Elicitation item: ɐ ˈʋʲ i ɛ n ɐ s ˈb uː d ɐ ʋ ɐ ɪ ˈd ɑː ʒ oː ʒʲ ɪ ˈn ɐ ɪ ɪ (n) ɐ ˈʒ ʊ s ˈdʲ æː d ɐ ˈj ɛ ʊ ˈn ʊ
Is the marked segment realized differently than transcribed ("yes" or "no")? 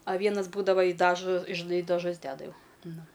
yes